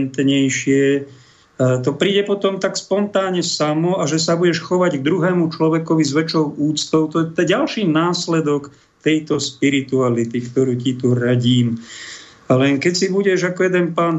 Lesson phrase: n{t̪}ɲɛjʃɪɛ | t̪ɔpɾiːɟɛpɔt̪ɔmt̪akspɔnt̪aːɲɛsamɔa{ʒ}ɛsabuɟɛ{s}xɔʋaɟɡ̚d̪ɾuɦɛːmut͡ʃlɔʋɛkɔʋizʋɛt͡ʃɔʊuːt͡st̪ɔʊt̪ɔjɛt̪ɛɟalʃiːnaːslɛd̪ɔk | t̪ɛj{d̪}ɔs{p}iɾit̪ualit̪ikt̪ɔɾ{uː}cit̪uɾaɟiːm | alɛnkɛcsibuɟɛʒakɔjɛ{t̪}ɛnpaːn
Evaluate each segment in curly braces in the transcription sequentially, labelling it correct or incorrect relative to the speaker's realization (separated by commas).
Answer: correct, correct, incorrect, incorrect, correct, correct, incorrect